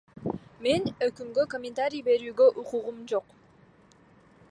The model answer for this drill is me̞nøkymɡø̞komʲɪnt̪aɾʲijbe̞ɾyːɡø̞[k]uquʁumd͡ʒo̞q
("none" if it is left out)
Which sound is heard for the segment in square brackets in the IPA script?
ʔ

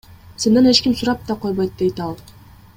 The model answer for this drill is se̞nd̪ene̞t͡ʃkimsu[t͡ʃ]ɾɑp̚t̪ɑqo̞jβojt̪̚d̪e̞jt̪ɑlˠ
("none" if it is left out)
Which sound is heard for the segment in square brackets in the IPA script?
none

